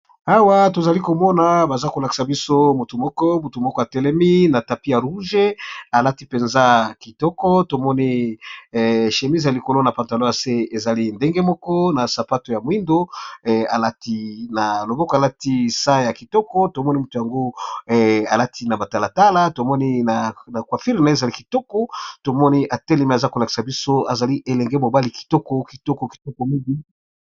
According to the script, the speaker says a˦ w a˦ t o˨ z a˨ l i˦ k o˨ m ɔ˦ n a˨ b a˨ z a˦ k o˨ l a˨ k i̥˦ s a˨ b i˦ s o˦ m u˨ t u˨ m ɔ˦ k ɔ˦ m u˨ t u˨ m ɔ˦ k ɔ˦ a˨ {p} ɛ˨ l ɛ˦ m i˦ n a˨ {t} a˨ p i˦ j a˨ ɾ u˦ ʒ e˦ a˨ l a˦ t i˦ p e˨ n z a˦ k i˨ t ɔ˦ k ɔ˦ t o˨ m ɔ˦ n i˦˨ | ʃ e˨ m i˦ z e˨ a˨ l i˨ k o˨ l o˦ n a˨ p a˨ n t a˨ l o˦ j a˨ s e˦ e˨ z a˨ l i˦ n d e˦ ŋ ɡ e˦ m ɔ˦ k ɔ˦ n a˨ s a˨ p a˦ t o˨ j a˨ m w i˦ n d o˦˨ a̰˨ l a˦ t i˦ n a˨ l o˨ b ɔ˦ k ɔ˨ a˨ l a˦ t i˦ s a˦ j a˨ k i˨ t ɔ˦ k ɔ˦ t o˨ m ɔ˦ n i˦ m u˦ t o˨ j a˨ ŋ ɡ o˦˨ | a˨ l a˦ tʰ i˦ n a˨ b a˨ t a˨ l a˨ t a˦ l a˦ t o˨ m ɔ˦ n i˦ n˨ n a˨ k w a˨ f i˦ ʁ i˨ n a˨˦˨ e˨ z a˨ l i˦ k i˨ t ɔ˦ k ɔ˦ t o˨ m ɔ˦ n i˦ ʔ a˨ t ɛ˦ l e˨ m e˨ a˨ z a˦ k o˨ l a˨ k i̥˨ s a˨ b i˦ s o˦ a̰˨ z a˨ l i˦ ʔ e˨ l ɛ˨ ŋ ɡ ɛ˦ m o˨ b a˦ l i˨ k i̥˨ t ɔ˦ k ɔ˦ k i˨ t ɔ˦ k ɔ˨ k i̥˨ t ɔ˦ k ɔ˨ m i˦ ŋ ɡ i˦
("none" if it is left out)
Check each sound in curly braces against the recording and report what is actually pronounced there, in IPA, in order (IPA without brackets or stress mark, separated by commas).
t, t